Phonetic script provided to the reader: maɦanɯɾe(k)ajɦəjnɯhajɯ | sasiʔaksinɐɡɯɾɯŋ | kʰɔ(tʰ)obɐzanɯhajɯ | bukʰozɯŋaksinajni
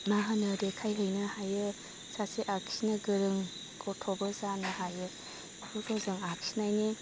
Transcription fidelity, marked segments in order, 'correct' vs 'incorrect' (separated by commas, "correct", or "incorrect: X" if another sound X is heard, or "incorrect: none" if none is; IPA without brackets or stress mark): incorrect: kʰ, correct